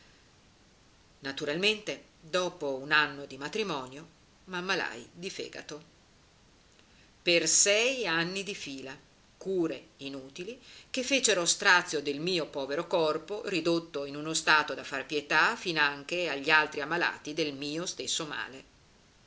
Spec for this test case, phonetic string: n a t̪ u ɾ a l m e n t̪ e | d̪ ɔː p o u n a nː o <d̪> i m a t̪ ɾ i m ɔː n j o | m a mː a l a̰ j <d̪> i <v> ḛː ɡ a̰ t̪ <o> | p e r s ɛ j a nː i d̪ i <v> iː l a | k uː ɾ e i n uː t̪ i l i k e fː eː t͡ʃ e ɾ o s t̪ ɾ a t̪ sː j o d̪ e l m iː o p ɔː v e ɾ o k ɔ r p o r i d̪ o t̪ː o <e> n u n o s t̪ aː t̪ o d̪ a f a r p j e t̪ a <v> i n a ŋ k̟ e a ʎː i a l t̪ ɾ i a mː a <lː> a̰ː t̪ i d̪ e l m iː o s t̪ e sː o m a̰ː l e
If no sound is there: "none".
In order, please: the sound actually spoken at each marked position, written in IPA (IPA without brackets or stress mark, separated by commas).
d̪, d̪, f, o, f, i, f, l